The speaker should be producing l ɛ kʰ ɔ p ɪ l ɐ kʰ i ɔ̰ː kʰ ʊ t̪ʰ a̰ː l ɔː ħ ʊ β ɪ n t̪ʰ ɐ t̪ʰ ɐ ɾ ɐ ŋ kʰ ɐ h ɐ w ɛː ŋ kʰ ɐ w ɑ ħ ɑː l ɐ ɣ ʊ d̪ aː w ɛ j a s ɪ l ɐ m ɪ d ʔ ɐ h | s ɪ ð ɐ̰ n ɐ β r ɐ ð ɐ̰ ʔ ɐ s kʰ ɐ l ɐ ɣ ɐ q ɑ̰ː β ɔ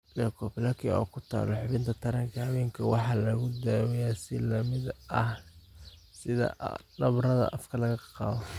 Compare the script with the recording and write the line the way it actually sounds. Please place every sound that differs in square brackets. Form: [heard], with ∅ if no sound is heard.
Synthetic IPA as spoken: l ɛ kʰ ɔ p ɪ l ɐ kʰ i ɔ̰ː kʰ ʊ t̪ʰ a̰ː l [ɔ] ħ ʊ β ɪ n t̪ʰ ɐ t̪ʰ ɐ ɾ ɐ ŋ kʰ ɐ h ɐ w ɛː ŋ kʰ ɐ w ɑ ħ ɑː l ɐ ɣ ʊ d̪ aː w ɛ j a s ɪ l ɐ m ɪ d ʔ ɐ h | s ɪ ð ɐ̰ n ɐ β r ɐ ð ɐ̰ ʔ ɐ [f] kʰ ɐ l ɐ ɣ ɐ q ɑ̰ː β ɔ